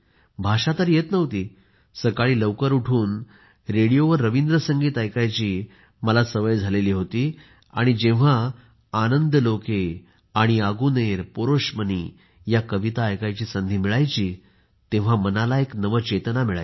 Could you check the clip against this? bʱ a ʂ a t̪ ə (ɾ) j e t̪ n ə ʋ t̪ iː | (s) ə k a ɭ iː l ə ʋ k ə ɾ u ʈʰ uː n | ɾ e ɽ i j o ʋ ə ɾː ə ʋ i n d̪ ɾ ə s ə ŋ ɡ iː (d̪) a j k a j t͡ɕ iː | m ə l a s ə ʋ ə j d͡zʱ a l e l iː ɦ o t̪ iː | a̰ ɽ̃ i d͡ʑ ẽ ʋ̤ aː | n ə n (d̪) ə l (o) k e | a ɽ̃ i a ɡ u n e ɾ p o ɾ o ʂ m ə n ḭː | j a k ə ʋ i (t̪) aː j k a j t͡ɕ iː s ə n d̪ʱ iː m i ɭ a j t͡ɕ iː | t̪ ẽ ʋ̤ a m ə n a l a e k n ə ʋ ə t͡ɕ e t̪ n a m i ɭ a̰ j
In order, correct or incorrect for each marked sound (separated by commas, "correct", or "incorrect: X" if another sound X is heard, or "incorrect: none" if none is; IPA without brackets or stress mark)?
correct, correct, incorrect: t̪, correct, correct, correct